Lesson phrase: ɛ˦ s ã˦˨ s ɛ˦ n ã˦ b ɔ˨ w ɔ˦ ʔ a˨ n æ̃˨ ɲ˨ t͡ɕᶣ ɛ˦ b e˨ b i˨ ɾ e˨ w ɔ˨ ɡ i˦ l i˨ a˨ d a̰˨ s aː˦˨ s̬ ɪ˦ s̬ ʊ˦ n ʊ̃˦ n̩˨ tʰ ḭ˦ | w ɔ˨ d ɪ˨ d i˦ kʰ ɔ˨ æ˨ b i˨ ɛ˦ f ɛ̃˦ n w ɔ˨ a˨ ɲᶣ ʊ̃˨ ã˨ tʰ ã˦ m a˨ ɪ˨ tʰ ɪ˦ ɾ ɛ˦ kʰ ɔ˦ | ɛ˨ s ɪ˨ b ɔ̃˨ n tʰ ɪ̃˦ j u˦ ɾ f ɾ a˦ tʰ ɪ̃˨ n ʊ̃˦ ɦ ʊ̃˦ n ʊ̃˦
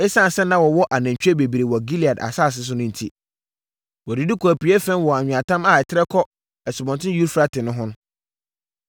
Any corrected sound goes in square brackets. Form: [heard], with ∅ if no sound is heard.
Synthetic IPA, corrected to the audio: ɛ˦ s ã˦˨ s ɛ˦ n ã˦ [w] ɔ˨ w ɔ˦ ʔ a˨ n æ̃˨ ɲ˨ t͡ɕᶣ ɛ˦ b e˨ b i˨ ɾ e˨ w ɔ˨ ɡ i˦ l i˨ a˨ d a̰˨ s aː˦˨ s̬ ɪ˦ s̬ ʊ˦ n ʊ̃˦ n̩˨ tʰ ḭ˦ | w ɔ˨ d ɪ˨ d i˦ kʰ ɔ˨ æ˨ [p] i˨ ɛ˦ f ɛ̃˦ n w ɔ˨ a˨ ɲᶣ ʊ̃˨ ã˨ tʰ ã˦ m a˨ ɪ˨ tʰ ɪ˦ ɾ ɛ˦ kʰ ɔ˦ | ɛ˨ s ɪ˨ b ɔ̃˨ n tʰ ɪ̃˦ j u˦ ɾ f ɾ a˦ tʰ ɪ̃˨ n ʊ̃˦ ɦ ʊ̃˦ n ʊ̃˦